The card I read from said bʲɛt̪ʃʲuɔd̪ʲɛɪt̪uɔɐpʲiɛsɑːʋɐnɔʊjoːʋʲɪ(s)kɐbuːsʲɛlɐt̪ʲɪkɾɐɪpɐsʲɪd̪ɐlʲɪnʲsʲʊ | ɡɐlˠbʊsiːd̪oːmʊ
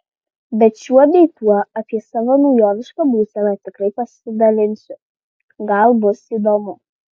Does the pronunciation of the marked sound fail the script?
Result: yes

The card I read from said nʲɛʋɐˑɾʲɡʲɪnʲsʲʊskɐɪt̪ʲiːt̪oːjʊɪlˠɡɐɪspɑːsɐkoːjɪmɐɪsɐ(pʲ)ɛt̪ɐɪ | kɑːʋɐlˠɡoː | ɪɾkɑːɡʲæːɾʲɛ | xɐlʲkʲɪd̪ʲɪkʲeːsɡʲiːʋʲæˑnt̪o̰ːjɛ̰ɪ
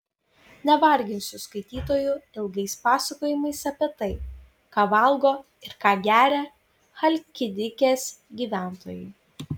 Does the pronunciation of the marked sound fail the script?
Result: no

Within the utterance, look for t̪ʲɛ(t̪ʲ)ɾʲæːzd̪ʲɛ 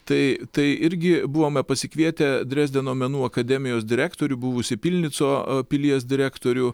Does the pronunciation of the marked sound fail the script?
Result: yes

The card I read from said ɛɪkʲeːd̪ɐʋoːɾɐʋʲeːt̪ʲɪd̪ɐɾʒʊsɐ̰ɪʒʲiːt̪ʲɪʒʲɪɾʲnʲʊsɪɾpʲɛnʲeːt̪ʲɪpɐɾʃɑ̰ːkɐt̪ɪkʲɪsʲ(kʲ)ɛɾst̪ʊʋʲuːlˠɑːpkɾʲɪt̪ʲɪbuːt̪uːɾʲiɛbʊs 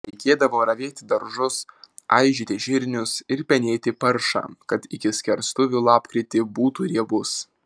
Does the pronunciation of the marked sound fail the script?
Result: no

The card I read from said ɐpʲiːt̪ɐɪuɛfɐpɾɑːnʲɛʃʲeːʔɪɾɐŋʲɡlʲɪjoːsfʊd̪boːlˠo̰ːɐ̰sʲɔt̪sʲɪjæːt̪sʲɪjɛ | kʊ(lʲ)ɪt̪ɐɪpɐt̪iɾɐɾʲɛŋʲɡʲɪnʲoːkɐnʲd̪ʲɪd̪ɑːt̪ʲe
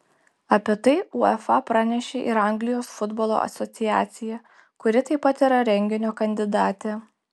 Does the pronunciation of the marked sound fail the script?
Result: yes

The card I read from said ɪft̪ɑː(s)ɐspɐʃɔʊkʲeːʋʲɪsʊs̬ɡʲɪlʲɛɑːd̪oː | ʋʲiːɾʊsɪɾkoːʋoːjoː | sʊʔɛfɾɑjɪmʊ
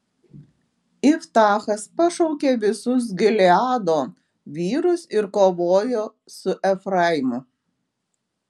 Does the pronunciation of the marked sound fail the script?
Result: yes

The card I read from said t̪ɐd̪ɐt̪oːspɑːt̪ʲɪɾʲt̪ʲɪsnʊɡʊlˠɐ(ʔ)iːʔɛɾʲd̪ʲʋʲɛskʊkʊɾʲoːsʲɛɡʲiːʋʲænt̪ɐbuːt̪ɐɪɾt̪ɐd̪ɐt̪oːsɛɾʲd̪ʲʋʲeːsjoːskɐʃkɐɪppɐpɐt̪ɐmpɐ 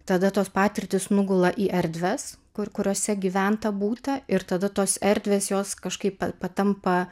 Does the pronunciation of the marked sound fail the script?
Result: no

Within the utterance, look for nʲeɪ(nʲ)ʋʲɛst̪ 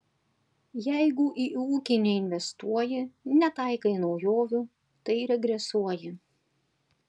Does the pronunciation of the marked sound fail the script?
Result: no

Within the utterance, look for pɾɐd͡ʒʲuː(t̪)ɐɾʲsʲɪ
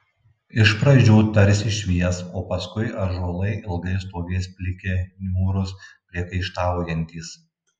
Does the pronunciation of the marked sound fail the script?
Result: no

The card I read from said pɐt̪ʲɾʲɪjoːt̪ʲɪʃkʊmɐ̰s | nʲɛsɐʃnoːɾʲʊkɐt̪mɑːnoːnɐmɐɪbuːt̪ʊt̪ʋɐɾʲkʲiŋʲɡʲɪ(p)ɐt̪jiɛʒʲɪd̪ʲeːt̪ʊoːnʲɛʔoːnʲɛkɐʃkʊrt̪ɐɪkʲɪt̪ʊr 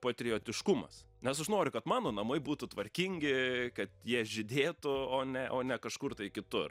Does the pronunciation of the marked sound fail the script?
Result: yes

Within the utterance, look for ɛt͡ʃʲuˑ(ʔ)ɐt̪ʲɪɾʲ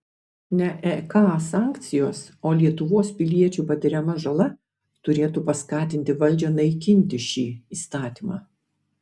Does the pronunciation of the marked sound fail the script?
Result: yes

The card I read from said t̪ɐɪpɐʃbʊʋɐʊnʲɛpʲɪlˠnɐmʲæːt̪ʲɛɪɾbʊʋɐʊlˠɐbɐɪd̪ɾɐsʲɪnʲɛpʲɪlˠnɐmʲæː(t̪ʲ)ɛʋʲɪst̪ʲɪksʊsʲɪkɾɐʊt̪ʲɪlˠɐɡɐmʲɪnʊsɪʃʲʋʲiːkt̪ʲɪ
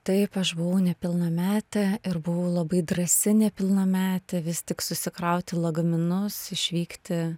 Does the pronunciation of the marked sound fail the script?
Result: no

